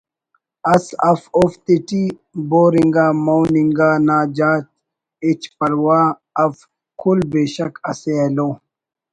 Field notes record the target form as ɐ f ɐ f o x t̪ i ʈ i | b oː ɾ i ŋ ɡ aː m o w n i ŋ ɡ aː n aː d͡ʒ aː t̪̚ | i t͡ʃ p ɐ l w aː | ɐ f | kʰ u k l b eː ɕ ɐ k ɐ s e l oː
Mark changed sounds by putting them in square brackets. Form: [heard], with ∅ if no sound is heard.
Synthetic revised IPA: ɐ [s] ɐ f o [f] t̪ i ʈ i | b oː ɾ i ŋ ɡ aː m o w n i ŋ ɡ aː n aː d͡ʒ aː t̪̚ | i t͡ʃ p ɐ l w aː | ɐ f | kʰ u [∅] l b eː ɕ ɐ k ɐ s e l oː